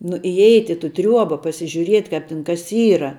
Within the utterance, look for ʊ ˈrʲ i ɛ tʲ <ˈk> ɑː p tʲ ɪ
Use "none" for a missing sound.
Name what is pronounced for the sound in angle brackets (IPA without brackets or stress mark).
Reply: k